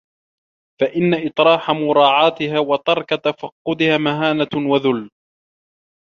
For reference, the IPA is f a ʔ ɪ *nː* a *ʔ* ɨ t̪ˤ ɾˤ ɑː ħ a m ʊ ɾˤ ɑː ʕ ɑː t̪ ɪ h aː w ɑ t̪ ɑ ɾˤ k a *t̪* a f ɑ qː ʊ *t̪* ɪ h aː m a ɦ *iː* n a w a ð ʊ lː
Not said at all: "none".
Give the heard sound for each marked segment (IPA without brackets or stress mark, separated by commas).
nː, ʔ, t̪, d̪, aː